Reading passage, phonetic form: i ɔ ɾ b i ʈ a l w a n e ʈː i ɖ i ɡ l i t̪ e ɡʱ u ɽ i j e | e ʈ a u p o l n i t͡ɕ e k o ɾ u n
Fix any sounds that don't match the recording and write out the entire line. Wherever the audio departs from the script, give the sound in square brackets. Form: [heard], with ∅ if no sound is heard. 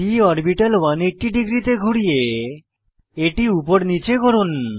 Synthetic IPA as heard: i ɔ ɾ b i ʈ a l w a n e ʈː i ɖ i ɡ [ɾ] i t̪ e ɡʱ u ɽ i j e | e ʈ [i] u p o [ɾ] n i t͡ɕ e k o ɾ u n